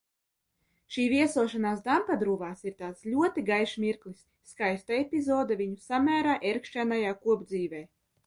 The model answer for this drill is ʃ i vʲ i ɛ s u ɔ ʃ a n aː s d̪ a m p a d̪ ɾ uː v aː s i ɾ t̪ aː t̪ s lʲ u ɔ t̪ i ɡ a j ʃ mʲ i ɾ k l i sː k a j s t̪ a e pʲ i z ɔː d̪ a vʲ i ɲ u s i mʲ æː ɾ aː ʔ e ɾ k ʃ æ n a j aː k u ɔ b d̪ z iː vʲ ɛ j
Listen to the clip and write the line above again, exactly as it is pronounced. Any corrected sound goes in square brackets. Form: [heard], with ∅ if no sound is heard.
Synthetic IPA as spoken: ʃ [iː] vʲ i ɛ s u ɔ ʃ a n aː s d̪ a m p a d̪ ɾ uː v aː s i ɾ t̪ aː t̪ s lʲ u ɔ t̪ i ɡ a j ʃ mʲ i ɾ k l i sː k a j s t̪ a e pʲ i z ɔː d̪ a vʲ i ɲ u s [a] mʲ æː ɾ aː ʔ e ɾ k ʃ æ n a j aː k u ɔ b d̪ z iː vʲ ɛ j